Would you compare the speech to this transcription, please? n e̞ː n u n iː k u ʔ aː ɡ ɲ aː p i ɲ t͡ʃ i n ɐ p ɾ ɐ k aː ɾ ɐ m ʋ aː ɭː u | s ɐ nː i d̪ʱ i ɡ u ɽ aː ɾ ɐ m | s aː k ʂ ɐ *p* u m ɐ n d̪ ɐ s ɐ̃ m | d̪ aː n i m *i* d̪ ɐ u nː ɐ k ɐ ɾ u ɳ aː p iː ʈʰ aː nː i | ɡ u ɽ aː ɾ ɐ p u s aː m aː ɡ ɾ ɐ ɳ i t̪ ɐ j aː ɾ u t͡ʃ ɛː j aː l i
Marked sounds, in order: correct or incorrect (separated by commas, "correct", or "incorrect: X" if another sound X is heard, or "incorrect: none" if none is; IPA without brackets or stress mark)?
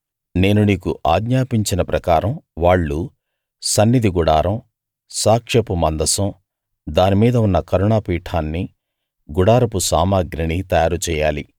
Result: correct, incorrect: iː